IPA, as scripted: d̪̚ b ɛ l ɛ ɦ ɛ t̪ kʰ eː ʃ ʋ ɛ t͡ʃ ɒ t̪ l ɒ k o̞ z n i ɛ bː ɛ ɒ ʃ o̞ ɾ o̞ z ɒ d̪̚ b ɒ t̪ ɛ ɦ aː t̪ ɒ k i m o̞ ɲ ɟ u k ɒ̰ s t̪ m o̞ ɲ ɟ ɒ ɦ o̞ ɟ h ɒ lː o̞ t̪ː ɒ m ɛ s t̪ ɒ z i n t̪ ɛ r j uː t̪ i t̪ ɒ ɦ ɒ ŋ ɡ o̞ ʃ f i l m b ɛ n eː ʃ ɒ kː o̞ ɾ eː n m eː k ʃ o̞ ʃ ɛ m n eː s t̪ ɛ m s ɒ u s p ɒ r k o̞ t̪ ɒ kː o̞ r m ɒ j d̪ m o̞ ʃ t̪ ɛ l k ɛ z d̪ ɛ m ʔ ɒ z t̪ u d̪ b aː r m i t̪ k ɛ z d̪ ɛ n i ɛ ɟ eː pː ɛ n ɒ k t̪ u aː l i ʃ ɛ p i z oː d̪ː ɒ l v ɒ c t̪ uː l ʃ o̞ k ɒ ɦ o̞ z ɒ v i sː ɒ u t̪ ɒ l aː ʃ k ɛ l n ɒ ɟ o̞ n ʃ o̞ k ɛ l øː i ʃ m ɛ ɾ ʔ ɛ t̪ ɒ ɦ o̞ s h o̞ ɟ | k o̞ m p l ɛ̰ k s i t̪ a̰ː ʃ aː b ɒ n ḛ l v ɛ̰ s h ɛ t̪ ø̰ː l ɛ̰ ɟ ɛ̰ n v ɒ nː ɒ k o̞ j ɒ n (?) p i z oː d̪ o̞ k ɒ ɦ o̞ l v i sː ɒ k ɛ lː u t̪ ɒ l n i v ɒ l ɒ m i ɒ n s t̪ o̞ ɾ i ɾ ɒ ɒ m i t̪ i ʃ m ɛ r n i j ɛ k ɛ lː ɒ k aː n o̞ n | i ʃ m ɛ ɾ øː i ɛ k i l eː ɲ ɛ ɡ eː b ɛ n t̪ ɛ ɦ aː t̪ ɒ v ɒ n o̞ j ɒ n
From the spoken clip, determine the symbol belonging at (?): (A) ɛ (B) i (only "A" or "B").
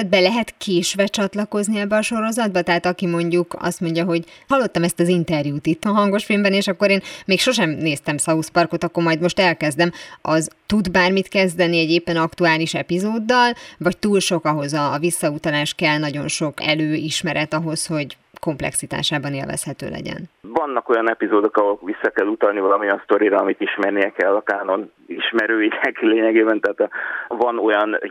A